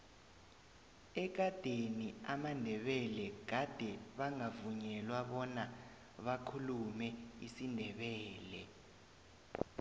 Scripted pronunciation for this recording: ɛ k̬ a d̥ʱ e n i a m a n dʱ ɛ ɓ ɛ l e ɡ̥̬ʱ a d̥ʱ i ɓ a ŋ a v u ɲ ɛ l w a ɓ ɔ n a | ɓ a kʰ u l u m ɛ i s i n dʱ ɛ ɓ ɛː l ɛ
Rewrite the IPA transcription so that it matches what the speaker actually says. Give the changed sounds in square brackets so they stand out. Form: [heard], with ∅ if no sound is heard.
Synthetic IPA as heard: ɛ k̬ a d̥ʱ e n i a m a n dʱ ɛ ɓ ɛ l [ɛ] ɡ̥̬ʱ a d̥ʱ [ɛ] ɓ a ŋ a v u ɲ ɛ l w a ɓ ɔ n a | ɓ a kʰ u l u m ɛ i s i n dʱ ɛ ɓ ɛː l ɛ